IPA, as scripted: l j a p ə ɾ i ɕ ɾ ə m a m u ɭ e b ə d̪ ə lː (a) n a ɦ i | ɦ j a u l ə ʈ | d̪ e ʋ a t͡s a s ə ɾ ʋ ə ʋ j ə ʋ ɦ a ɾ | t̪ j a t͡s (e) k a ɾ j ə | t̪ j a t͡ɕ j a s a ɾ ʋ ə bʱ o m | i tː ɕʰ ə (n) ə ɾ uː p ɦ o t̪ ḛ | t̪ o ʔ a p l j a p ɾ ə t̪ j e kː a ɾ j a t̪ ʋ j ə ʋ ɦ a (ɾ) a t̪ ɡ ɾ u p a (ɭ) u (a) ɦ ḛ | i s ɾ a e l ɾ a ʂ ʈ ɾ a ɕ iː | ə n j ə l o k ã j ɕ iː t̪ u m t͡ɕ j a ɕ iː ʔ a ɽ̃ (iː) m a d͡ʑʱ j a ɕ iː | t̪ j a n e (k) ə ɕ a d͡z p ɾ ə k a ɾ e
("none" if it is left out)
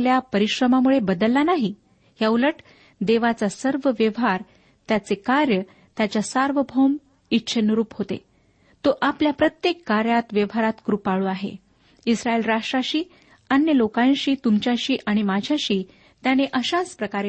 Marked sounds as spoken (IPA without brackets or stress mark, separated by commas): a, e, n, ɾ, ɭ, a, i, ʔ